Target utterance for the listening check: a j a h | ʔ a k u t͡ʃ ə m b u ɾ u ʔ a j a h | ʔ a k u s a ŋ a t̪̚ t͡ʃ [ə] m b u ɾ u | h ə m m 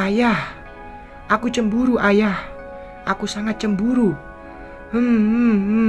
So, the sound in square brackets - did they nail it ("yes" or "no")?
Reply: yes